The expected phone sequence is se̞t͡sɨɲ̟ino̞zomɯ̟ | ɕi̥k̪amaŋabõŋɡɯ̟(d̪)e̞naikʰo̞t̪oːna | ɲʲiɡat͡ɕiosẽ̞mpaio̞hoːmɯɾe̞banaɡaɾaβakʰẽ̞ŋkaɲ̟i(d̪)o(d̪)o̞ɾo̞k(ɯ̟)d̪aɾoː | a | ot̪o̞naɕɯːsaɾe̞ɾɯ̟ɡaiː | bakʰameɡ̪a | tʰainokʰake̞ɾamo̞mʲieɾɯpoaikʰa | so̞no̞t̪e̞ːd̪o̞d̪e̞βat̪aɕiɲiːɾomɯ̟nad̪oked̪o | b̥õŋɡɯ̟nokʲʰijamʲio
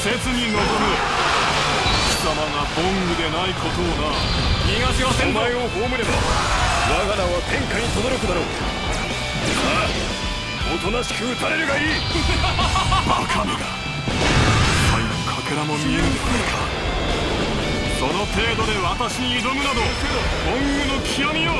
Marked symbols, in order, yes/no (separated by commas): yes, no, yes, yes